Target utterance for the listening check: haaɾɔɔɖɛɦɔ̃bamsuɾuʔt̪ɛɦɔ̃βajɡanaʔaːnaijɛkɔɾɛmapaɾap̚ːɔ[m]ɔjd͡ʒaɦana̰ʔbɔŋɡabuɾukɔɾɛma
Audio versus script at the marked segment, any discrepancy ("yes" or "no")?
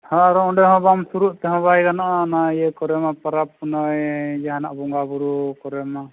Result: yes